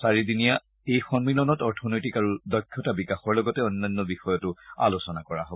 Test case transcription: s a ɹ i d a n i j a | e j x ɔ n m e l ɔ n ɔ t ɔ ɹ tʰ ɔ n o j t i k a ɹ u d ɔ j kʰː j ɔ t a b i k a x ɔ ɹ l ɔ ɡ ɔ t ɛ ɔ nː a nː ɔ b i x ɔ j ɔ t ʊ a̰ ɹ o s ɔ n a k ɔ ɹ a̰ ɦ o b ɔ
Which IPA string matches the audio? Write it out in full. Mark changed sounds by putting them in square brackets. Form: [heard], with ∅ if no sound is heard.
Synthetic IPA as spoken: s a ɹ i d [i] n i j a | e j x ɔ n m [i] l ɔ n ɔ t ɔ ɹ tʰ ɔ n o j t i k a ɹ u d ɔ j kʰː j ɔ t a b i k a x ɔ ɹ l ɔ ɡ ɔ t ɛ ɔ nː a nː ɔ b i x ɔ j ɔ t ʊ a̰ [l] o s ɔ n a k ɔ ɹ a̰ ɦ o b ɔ